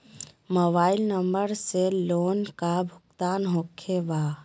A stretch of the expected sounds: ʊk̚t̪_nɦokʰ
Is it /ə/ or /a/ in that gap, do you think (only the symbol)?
a